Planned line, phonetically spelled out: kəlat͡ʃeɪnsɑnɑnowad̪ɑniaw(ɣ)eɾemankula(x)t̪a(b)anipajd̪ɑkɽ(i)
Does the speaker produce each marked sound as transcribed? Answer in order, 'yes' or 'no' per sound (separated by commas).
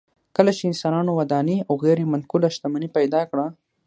yes, no, no, no